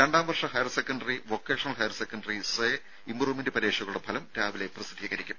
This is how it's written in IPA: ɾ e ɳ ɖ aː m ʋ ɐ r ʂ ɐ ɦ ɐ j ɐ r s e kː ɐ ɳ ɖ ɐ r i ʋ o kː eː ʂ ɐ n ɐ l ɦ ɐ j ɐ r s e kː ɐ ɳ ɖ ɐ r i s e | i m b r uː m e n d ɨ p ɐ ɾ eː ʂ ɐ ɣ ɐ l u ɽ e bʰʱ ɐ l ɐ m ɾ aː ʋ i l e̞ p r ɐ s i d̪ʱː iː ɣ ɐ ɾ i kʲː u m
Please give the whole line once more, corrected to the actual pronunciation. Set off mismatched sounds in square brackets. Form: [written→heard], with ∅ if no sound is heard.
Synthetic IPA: ɾ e ɳ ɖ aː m ʋ ɐ r ʂ ɐ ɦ ɐ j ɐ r s e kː ɐ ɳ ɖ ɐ r i ʋ o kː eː ʂ ɐ n ɐ l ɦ ɐ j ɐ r s e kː ɐ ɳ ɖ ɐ r i s e | i m b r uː m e n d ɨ p ɐ ɾ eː ʂ ɐ ɣ ɐ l u ɽ e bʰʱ ɐ l ɐ m ɾ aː ʋ i l e̞ p r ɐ s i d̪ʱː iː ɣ ɐ ɾ i kʲː u m

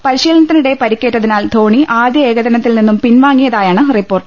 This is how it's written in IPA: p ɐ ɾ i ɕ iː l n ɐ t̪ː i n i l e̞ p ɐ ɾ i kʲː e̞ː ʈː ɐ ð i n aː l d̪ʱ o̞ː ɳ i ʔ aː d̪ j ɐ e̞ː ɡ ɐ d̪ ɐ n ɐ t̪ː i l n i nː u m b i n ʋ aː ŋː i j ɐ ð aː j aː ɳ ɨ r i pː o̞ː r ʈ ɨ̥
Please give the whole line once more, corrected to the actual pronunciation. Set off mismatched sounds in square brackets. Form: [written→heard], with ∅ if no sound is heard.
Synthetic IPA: p ɐ ɾ i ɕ iː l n ɐ t̪ː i n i [l→ɽ] e̞ p ɐ ɾ i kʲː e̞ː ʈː ɐ ð i n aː l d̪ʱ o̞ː ɳ i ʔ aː d̪ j ɐ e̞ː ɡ ɐ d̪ ɐ n ɐ t̪ː i l n i nː u m [b→p] i n ʋ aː ŋː i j ɐ ð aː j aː ɳ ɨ r i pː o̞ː r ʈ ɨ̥

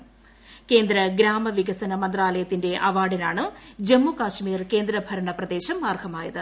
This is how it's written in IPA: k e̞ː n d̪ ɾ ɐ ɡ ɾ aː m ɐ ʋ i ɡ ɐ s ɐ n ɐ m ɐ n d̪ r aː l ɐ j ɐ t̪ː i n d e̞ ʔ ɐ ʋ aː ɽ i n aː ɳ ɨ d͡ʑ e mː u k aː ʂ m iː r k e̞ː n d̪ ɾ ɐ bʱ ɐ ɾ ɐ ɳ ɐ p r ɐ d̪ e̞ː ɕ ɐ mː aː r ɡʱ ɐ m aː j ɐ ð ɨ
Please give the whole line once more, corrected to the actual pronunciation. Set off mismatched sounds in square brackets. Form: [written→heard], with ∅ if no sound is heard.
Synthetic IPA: k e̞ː n d̪ ɾ ɐ ɡ ɾ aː m ɐ ʋ i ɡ ɐ s ɐ n ɐ m ɐ n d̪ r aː l ɐ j ɐ t̪ː i n d e̞ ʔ ɐ ʋ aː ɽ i n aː ɳ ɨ d͡ʑ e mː u k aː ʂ m iː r k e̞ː n d̪ ɾ ɐ bʱ ɐ ɾ ɐ ɳ ɐ p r ɐ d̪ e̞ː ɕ ɐ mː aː r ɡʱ ɐ m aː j ɐ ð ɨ

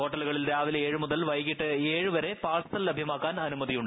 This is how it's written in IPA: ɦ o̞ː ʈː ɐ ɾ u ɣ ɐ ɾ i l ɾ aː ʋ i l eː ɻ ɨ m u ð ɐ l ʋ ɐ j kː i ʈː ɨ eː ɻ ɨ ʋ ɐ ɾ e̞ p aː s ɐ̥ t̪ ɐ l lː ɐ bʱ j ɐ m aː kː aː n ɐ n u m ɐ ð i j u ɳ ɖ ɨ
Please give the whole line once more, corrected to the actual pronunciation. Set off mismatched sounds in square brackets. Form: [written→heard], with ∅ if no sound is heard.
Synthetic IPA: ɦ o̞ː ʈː ɐ [ɾ→l] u ɣ ɐ [ɾ→ɭ] i l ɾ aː ʋ i l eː ɻ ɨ m u ð ɐ l ʋ ɐ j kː i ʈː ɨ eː ɻ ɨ ʋ ɐ ɾ e̞ p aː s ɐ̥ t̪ ɐ l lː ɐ bʱ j ɐ m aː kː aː n ɐ n u m ɐ ð i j u ɳ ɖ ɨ

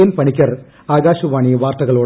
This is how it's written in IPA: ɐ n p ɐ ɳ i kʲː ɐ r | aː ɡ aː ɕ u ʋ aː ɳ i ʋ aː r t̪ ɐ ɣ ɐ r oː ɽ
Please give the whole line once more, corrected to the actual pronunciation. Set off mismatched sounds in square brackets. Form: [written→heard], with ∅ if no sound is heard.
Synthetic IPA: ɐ n p ɐ ɳ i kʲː ɐ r | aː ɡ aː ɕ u ʋ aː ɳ i ʋ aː r t̪ ɐ ɣ ɐ [r→ɭ] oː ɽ

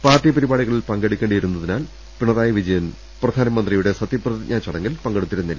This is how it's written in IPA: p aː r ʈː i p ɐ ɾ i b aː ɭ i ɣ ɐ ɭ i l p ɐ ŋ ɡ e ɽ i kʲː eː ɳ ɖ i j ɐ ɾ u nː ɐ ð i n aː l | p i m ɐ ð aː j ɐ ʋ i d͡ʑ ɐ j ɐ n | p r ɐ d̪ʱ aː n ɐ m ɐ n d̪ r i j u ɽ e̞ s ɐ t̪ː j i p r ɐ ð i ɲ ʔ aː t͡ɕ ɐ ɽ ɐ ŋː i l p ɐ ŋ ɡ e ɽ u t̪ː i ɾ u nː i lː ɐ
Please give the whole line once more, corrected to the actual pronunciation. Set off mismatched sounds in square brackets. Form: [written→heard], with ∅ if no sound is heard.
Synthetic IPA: p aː r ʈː i p ɐ ɾ i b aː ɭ i ɣ ɐ ɭ i l p ɐ ŋ ɡ e ɽ i kʲː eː ɳ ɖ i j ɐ ɾ u nː ɐ ð i n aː l | p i [m→ɳ] ɐ ð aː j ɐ ʋ i d͡ʑ ɐ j ɐ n | p r ɐ d̪ʱ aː n ɐ m ɐ n d̪ r i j u ɽ e̞ s ɐ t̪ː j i p r ɐ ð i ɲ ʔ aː t͡ɕ ɐ ɽ ɐ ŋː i l p ɐ ŋ ɡ e ɽ u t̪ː i ɾ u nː i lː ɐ

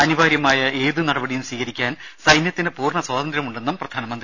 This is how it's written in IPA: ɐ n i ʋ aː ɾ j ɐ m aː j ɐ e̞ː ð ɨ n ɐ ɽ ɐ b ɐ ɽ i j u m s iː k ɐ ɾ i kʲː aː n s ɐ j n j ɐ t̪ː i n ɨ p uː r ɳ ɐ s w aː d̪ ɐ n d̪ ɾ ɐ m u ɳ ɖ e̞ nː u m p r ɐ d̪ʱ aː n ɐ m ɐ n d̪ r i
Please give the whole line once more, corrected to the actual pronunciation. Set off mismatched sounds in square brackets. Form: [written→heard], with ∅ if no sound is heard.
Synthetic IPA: ɐ n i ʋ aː ɾ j ɐ m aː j ɐ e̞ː ð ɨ n ɐ ɽ ɐ b ɐ ɽ i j u m s iː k ɐ ɾ i kʲː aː n s ɐ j n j ɐ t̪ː i n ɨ p uː r ɳ ɐ s w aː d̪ ɐ n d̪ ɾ ɐ m u ɳ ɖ e̞ nː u m p r ɐ d̪ʱ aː n ɐ m ɐ n d̪ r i

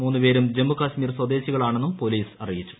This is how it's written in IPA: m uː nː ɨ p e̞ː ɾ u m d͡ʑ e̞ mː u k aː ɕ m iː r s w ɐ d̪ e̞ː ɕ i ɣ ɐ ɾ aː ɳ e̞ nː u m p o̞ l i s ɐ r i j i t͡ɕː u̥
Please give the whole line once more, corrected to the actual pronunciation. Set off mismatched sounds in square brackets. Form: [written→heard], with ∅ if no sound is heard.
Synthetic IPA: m uː nː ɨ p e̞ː ɾ u m d͡ʑ e̞ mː u k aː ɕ m iː r s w ɐ d̪ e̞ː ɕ i ɣ ɐ [ɾ→ɭ] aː ɳ e̞ nː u m p o̞ l [i→iː] s ɐ r i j i t͡ɕː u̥

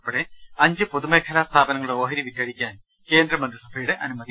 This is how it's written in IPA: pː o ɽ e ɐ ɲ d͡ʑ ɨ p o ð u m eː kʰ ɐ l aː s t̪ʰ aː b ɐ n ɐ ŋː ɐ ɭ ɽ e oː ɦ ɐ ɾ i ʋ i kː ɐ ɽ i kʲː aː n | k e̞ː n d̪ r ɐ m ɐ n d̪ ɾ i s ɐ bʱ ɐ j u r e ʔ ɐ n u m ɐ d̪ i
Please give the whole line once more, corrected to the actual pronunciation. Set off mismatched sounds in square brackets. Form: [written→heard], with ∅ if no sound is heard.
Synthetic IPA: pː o ɽ e ɐ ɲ d͡ʑ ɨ p o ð u m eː kʰ ɐ l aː s t̪ʰ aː b ɐ n ɐ ŋː ɐ ɭ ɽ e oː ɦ ɐ ɾ i ʋ i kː ɐ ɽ i kʲː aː n | k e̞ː n d̪ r ɐ m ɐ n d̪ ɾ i s ɐ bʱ ɐ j u [r→ɽ] e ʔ ɐ n u m ɐ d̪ i

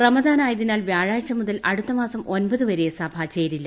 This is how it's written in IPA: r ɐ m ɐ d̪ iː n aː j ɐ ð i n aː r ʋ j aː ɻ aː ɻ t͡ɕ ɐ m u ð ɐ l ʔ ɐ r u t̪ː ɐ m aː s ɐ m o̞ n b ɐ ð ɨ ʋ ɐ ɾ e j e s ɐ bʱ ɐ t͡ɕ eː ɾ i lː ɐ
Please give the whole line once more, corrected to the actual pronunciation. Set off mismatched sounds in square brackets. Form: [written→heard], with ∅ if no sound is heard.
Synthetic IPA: r ɐ m ɐ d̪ [iː→aː] n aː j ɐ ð i n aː [r→l] ʋ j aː ɻ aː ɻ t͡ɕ ɐ m u ð ɐ l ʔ ɐ [r→ɽ] u t̪ː ɐ m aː s ɐ m o̞ n b ɐ ð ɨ ʋ ɐ ɾ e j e s ɐ bʱ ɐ t͡ɕ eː ɾ i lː ɐ

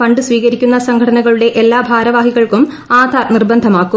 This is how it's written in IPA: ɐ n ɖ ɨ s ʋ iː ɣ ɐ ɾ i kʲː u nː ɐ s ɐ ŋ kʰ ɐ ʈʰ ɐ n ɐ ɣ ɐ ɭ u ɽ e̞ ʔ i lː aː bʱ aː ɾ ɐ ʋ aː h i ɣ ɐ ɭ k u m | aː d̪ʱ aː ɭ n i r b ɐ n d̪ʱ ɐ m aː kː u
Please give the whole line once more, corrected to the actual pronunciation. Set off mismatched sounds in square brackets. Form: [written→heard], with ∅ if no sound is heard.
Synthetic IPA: ɐ [n→ɳ] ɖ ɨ s ʋ iː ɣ ɐ ɾ i kʲː u nː ɐ s ɐ ŋ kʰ ɐ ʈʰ ɐ n ɐ ɣ ɐ ɭ u ɽ e̞ ʔ [i→e] lː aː bʱ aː ɾ ɐ ʋ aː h i ɣ ɐ ɭ k u m | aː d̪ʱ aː [ɭ→r] n i r b ɐ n d̪ʱ ɐ m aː kː u

